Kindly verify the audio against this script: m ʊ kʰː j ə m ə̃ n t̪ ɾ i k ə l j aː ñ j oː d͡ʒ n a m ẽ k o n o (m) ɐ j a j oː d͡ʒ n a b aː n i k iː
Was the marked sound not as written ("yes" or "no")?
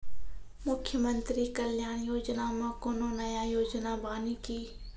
yes